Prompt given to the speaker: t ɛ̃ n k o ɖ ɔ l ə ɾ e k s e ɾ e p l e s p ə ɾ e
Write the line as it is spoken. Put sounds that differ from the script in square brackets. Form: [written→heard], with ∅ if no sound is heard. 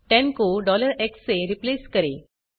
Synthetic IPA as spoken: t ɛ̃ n k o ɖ ɔ l ə ɾ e k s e ɾ [e→i] p l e s [p→k] ə ɾ e